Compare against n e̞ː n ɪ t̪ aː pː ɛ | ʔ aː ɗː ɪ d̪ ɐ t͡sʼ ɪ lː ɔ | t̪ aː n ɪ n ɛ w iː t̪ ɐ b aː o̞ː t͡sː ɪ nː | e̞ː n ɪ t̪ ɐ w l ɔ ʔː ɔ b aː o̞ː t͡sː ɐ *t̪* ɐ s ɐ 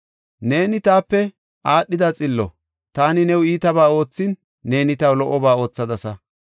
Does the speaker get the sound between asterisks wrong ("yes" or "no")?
yes